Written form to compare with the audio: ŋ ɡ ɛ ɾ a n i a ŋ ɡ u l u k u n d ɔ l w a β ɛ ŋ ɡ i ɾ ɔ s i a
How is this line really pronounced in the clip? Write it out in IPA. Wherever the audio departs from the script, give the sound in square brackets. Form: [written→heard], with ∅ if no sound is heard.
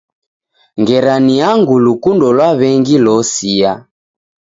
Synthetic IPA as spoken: ŋ ɡ ɛ ɾ a n i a ŋ ɡ u l u k u n d ɔ l w a β ɛ ŋ ɡ i [ɾ→l] ɔ s i a